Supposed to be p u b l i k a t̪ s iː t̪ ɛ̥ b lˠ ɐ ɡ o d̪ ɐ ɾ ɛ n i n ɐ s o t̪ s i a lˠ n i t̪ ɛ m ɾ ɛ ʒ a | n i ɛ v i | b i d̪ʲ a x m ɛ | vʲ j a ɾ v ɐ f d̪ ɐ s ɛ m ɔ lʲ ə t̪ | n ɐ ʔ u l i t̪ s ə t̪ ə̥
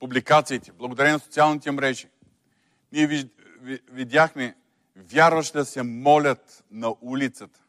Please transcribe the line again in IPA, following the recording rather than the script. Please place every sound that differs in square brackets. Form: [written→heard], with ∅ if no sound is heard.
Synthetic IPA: p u b l i k a t̪ s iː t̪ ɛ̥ b lˠ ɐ ɡ o d̪ ɐ ɾ ɛ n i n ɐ s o t̪ s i a lˠ n i t̪ ɛ m ɾ ɛ ʒ [a→i] | n i ɛ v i | [b→v] i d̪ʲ a x m ɛ | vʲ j a ɾ v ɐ [f→ʃ] d̪ ɐ s ɛ m ɔ lʲ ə t̪ | n ɐ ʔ u l i t̪ s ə t̪ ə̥